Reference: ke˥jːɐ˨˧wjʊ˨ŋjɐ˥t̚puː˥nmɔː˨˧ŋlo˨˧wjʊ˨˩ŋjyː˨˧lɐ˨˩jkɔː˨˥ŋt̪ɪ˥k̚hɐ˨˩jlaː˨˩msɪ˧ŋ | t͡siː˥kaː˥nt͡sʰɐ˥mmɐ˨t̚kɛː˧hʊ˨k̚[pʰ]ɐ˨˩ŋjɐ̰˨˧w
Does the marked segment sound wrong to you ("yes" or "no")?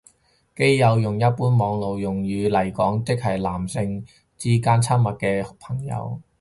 no